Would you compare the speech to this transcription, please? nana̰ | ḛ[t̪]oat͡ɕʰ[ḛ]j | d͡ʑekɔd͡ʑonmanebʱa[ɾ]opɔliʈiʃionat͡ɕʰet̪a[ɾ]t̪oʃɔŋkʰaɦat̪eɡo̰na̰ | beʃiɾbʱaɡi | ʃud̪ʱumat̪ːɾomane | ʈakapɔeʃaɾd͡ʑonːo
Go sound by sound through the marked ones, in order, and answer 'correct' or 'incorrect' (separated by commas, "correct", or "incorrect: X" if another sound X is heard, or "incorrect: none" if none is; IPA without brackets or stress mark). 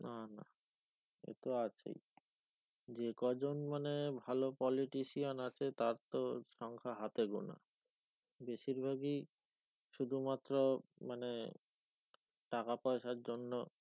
correct, correct, incorrect: l, correct